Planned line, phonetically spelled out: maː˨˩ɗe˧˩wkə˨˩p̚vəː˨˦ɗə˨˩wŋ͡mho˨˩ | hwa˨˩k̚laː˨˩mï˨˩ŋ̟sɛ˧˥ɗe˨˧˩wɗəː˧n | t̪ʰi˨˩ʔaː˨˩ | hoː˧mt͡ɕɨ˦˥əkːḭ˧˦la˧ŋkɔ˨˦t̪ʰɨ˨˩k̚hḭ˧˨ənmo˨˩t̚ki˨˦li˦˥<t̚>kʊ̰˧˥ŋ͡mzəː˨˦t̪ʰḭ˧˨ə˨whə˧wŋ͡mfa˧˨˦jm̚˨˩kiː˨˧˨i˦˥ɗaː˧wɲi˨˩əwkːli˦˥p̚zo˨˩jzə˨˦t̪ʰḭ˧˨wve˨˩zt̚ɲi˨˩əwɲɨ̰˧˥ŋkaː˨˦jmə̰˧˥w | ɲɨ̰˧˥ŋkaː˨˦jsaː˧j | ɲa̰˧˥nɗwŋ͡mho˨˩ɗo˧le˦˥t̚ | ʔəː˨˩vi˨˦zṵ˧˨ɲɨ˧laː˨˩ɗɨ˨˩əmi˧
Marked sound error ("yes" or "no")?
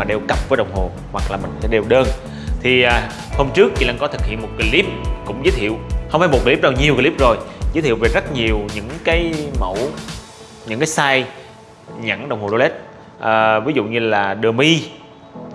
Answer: yes